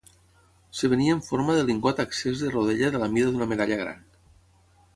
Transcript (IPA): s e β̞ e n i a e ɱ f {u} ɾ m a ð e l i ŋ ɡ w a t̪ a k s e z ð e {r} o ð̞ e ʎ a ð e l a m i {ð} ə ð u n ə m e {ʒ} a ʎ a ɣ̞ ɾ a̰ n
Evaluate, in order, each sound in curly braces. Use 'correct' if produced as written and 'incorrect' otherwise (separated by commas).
incorrect, correct, correct, incorrect